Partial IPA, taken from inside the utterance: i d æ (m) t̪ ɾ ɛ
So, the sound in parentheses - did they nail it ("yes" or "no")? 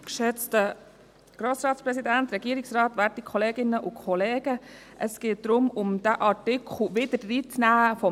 no